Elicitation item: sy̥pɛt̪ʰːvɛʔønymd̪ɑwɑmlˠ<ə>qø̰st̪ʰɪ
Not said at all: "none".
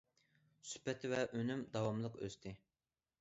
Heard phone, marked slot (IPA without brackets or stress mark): ə